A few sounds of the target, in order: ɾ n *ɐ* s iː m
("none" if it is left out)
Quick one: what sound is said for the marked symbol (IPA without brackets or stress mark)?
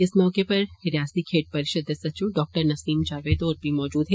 ɐ